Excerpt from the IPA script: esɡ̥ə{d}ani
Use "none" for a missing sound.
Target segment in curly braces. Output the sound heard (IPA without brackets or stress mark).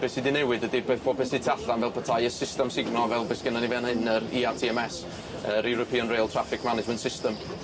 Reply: n